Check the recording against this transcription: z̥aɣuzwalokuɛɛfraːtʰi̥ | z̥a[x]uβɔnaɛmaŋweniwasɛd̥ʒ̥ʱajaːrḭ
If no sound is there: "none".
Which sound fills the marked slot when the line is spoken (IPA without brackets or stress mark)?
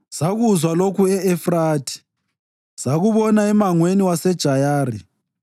ɣ